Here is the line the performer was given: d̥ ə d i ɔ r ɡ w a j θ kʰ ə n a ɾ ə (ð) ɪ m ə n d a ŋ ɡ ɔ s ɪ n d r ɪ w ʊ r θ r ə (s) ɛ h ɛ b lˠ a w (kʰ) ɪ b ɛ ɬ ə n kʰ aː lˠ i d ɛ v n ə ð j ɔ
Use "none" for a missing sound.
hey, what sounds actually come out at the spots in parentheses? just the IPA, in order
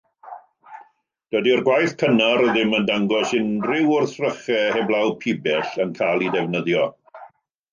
ð, χ, pʰ

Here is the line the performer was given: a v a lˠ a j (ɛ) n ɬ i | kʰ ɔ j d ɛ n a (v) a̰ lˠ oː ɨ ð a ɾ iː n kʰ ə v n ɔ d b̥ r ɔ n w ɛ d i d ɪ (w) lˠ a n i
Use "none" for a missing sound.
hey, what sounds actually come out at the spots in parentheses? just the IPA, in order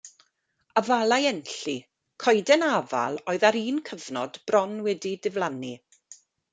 ɛ, v, v

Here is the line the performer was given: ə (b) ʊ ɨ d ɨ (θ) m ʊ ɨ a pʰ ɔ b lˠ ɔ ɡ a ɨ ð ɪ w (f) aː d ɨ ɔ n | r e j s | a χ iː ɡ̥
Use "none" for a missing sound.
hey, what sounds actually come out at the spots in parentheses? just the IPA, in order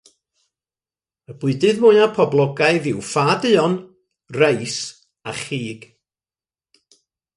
b, ð, f

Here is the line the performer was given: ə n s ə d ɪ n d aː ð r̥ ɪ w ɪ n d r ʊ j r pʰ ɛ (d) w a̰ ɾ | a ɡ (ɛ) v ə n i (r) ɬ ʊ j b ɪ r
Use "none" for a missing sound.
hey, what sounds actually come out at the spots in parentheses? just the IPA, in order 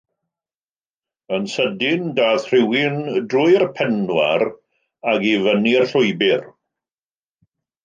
n, i, r

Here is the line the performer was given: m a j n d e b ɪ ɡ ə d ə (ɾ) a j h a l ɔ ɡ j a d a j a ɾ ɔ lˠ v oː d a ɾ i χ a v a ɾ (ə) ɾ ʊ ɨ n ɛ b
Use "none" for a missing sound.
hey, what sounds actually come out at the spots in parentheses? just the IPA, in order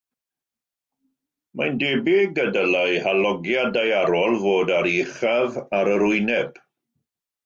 l, ə

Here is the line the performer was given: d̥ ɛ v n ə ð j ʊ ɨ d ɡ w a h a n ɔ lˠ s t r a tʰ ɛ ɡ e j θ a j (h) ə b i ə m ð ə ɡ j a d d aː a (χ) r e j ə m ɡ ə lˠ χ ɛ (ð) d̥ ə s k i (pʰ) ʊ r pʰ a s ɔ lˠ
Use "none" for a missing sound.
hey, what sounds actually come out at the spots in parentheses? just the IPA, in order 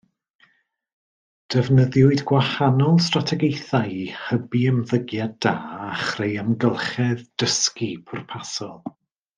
h, χ, ð, pʰ

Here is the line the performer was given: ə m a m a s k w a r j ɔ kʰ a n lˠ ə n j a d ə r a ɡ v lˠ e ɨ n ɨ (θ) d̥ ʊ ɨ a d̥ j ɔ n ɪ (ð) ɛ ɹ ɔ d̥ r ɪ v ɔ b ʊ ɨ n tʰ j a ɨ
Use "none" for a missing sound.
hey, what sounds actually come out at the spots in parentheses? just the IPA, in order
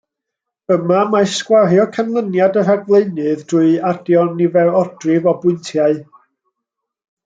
ð, v

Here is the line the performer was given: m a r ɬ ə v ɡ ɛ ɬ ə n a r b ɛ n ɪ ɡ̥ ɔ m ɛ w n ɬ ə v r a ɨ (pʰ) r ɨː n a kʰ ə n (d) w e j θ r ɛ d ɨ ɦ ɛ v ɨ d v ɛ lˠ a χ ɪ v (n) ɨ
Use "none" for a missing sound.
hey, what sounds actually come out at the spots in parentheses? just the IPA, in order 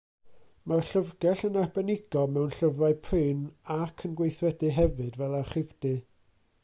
pʰ, ɡ, d

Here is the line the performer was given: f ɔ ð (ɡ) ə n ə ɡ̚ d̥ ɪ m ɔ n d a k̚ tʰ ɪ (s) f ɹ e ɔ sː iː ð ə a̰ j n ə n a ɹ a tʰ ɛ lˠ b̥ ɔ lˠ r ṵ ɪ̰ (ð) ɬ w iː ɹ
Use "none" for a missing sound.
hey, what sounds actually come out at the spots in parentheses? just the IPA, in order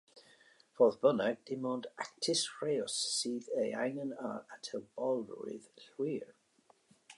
b, s, ð

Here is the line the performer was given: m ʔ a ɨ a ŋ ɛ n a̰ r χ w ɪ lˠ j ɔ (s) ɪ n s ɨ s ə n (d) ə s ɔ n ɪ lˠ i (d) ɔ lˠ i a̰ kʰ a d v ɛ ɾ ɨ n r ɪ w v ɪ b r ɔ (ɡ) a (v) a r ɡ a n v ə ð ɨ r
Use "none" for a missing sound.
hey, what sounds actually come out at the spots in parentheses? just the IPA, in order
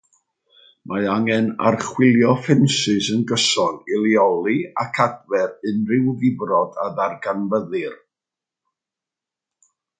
f, ɡ, none, d, ð

